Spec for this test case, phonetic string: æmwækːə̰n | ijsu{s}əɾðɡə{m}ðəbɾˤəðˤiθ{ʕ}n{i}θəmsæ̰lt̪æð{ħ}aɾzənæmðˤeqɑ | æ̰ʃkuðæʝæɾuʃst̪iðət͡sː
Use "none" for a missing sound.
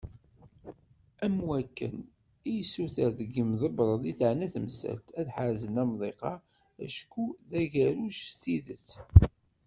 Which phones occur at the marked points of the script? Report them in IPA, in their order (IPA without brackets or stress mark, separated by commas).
θ, m, ʕ, æ, ħ